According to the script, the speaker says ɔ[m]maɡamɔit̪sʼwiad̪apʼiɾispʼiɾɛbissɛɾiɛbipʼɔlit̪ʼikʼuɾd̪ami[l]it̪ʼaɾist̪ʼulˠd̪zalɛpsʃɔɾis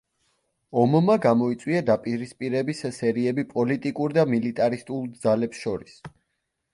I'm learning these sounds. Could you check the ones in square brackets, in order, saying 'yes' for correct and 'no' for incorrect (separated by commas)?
yes, yes